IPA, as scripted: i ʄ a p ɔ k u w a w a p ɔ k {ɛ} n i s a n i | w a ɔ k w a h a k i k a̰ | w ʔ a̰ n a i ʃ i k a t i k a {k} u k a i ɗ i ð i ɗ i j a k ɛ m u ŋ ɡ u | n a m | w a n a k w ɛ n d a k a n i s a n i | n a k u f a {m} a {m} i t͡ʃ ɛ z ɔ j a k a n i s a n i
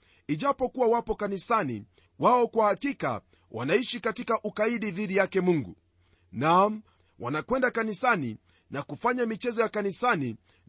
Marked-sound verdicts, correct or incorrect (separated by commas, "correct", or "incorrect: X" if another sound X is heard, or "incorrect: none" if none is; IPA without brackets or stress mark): incorrect: a, incorrect: ʔ, incorrect: ɲ, correct